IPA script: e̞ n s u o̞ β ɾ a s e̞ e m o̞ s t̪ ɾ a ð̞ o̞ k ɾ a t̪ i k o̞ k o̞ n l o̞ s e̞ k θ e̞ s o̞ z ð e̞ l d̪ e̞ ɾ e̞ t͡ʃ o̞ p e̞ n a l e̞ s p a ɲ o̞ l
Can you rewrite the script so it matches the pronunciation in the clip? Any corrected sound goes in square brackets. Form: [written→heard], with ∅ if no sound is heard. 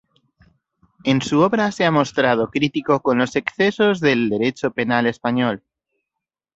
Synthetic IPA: e̞ n s u o̞ β ɾ a s e̞ [e→a] m o̞ s t̪ ɾ a ð̞ o̞ k ɾ [a→i] t̪ i k o̞ k o̞ n l o̞ s e̞ k θ e̞ s o̞ z ð e̞ l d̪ e̞ ɾ e̞ t͡ʃ o̞ p e̞ n a l e̞ s p a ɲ o̞ l